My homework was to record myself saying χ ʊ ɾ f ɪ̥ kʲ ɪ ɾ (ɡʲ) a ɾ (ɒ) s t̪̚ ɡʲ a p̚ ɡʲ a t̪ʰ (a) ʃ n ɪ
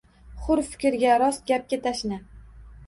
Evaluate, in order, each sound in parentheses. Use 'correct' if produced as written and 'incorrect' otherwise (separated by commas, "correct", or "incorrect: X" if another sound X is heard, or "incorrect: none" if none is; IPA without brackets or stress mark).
correct, correct, correct